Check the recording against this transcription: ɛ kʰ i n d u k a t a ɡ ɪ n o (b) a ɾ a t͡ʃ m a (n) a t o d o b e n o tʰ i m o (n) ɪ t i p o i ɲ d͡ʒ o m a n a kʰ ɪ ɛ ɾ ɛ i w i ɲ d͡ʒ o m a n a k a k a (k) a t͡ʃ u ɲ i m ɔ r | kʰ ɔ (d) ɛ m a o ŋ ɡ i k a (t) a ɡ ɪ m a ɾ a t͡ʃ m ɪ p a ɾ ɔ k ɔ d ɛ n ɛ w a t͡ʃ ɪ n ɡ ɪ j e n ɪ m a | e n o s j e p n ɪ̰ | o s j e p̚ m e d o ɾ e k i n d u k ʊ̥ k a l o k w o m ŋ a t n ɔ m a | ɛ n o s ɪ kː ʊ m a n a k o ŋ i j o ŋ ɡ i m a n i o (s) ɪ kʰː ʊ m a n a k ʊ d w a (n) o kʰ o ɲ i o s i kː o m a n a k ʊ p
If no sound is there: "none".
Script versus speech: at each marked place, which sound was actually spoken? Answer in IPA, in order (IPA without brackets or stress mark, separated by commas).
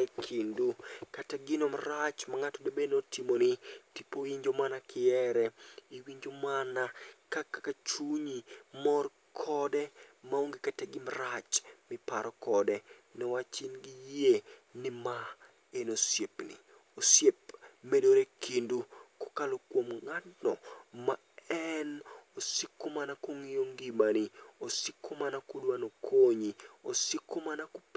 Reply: m, ŋ, n, k, d, t, s, n